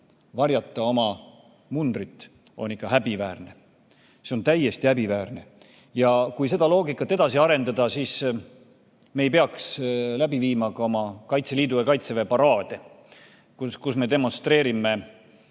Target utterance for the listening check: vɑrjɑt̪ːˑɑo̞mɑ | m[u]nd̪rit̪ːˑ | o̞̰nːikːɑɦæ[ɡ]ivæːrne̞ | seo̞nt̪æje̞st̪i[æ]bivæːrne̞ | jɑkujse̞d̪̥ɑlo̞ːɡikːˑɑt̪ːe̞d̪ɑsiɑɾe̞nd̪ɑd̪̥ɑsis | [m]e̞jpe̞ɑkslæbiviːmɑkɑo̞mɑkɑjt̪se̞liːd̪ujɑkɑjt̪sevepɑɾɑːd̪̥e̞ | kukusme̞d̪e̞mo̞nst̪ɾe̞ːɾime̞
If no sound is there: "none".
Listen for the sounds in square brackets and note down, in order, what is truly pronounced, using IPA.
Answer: u, b, æ, m

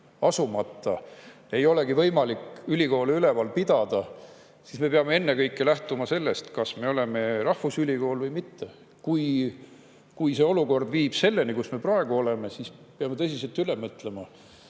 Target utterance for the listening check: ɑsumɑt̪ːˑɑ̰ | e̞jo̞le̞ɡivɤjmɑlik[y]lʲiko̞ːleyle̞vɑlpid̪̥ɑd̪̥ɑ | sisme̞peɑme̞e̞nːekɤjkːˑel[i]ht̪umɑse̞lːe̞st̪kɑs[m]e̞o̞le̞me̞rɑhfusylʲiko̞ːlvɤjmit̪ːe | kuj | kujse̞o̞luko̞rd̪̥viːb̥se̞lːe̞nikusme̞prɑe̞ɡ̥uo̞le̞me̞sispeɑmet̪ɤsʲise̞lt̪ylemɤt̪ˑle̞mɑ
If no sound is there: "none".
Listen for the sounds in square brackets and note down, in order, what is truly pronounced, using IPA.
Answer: y, æ, m

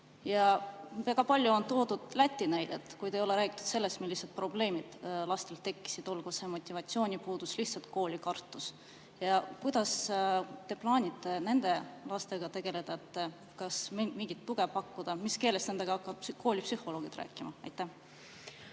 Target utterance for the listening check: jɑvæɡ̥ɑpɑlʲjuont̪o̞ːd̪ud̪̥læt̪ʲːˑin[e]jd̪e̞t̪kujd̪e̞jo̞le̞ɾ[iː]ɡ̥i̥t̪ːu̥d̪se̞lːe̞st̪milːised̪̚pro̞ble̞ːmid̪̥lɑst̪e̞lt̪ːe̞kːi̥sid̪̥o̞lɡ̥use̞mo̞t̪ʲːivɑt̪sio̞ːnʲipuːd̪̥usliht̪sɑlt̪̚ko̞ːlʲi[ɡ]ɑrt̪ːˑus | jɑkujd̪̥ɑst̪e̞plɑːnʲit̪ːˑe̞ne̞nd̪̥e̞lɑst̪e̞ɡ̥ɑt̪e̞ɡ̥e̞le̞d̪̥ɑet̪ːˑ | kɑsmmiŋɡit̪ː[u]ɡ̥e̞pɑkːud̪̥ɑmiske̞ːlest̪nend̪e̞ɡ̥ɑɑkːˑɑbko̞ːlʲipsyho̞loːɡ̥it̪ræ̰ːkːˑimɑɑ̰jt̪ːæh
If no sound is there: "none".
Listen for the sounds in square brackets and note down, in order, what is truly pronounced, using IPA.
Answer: æ, æː, k, u

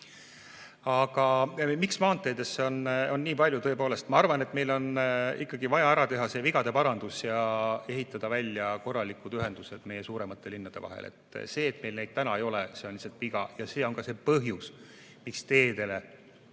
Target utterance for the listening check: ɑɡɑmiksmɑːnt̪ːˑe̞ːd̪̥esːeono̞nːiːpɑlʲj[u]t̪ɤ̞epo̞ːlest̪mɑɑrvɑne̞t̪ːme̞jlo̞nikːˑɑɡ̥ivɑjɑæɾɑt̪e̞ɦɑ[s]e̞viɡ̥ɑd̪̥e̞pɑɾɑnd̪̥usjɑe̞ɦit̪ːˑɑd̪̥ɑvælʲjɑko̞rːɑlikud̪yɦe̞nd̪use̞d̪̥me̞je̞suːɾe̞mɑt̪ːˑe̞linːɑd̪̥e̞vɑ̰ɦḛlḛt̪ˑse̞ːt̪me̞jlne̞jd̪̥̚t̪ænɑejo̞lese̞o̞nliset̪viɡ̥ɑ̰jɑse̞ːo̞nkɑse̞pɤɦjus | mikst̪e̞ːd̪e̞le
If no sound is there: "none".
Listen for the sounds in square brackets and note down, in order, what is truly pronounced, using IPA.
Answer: u, s

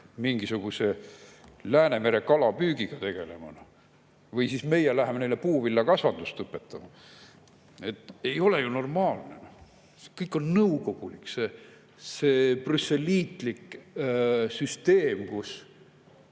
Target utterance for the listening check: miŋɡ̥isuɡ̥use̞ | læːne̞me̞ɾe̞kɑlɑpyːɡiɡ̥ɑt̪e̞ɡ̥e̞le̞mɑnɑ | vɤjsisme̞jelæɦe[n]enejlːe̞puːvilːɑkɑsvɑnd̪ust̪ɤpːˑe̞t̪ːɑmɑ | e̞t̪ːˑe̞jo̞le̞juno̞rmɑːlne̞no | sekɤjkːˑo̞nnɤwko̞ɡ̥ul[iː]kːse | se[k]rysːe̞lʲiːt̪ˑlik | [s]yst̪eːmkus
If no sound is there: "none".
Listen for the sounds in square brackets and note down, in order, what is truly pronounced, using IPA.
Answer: m, i, p, s

